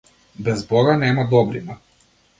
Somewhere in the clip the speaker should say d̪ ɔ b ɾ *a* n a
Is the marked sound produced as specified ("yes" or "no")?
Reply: no